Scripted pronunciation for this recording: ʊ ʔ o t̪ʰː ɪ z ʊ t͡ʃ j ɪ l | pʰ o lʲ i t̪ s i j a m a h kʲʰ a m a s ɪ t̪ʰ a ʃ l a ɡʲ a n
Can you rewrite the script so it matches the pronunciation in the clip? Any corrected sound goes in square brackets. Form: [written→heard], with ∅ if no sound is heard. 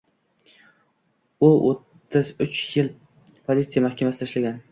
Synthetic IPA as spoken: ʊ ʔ o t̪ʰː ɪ z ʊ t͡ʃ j ɪ l | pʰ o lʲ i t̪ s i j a m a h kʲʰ a m a s ɪ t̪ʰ a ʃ l a ɡʲ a n